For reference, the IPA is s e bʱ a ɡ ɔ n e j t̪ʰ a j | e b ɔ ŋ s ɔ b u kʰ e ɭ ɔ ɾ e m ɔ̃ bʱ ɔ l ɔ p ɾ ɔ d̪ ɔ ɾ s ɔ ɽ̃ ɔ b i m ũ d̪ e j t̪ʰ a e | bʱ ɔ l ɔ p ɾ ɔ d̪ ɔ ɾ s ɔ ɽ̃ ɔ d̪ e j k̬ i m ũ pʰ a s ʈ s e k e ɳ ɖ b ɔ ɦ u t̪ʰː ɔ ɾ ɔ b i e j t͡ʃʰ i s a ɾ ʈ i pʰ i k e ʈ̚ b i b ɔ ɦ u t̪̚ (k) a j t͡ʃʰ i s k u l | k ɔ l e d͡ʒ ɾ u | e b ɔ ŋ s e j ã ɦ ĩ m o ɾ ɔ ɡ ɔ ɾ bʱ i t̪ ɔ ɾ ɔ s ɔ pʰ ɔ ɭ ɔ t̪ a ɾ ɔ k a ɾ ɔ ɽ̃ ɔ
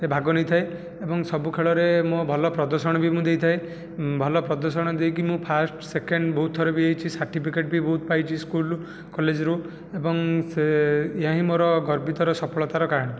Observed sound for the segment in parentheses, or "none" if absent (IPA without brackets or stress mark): p